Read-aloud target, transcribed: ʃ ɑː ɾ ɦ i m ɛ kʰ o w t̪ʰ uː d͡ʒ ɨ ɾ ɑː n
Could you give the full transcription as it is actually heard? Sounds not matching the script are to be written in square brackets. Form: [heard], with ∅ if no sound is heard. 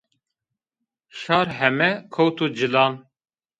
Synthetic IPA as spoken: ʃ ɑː ɾ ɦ [ɛ] m ɛ kʰ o w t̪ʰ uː d͡ʒ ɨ [l] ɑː n